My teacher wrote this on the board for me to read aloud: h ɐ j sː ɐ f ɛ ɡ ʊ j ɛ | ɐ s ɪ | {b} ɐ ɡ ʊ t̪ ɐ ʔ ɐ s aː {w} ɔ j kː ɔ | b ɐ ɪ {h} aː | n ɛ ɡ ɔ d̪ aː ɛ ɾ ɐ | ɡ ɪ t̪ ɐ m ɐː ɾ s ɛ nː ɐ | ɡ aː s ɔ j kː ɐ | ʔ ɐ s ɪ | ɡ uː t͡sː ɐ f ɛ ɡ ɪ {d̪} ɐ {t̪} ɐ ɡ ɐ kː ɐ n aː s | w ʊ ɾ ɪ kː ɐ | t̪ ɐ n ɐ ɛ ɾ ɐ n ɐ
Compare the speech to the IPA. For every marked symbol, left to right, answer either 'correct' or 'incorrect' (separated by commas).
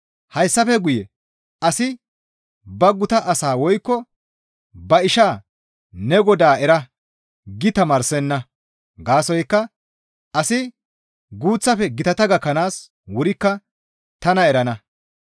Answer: correct, correct, incorrect, incorrect, correct